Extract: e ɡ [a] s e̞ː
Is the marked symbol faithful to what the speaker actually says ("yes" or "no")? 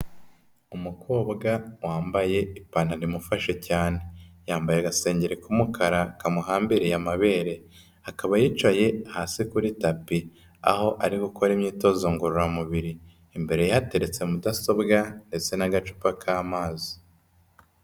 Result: yes